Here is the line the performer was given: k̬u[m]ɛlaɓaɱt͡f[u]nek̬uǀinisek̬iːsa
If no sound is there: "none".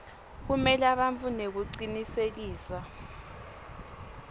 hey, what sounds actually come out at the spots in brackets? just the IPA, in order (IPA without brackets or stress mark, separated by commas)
m, u